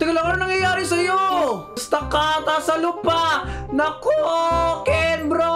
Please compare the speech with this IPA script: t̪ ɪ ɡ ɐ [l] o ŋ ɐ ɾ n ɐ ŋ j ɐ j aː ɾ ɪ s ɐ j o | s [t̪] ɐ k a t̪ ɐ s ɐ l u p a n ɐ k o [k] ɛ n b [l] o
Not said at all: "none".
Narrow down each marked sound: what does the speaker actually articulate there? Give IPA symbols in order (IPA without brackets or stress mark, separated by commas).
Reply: l, t̪, k, ɾ